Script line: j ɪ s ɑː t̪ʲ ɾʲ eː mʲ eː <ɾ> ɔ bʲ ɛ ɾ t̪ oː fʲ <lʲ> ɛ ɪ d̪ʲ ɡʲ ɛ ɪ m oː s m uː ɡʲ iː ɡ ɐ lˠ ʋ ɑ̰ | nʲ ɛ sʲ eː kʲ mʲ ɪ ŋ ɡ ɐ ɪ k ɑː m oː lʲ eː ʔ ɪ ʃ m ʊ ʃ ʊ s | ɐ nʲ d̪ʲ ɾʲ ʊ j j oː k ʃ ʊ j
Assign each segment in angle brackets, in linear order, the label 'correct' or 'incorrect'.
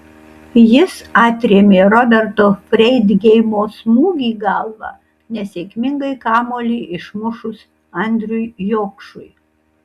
correct, incorrect: ɾʲ

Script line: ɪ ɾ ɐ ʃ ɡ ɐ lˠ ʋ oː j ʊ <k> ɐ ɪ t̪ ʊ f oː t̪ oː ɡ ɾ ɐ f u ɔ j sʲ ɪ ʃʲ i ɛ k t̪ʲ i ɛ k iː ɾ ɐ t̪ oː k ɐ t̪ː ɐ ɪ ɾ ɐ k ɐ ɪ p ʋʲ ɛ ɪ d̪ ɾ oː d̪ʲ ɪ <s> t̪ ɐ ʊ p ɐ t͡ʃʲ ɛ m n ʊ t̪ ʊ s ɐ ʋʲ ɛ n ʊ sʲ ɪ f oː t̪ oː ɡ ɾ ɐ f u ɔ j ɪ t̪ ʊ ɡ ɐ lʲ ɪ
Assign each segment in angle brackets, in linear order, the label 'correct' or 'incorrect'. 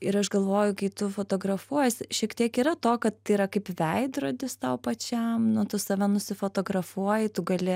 correct, correct

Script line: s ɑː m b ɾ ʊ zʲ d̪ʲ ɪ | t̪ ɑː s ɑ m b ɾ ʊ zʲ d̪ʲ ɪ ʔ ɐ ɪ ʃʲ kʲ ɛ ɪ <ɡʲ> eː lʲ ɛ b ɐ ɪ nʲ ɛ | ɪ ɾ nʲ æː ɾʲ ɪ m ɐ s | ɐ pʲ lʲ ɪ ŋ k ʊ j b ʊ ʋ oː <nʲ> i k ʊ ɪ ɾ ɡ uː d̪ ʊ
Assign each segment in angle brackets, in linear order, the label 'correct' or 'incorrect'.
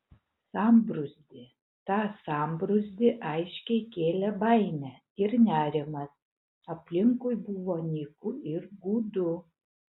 incorrect: kʲ, correct

